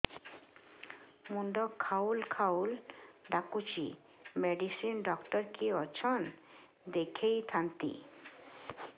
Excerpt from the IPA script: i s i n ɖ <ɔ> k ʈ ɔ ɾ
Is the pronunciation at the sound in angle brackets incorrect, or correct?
correct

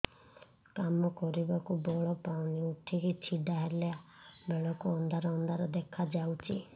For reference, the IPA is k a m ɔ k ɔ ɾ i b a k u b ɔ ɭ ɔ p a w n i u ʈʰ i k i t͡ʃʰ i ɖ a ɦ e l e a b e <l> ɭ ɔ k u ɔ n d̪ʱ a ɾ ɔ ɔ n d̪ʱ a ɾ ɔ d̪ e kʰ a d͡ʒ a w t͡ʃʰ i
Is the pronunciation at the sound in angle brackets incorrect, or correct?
incorrect: none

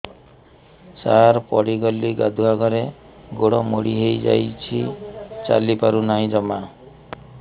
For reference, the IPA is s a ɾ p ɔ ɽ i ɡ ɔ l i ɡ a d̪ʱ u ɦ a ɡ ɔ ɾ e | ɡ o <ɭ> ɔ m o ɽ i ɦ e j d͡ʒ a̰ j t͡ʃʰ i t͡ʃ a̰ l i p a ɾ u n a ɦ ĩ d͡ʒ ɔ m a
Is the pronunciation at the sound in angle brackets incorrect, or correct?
incorrect: ɽ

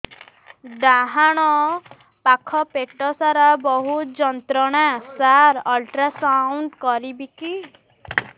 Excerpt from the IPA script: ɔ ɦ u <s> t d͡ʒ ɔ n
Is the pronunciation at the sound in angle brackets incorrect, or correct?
incorrect: none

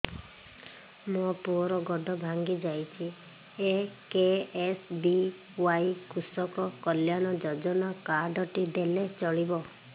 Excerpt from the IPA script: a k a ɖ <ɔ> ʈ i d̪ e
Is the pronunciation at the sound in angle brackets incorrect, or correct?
correct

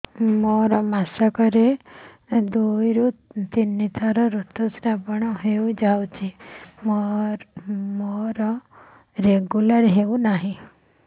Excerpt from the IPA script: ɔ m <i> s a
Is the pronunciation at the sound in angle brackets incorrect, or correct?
incorrect: a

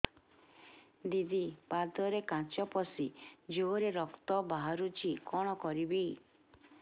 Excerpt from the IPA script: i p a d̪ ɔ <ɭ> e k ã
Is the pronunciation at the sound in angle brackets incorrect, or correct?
incorrect: ɾ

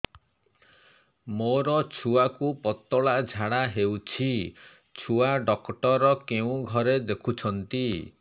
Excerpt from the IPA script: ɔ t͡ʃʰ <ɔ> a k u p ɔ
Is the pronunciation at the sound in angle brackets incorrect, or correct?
incorrect: u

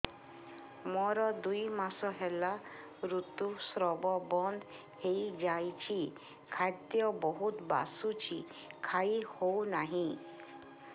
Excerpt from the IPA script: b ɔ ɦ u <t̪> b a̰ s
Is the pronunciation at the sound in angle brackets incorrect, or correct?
correct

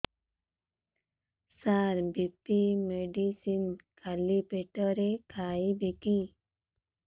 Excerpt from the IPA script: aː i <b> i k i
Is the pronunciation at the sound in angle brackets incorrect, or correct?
correct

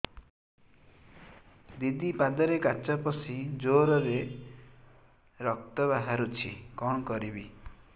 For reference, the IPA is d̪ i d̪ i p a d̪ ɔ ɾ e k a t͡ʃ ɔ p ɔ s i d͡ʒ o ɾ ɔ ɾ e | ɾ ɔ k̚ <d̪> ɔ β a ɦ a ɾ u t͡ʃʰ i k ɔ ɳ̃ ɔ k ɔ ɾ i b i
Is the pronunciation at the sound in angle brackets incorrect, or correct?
incorrect: t̪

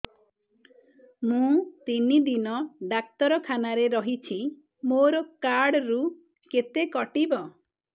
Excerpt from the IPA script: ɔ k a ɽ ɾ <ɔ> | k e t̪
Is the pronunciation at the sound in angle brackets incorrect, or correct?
incorrect: u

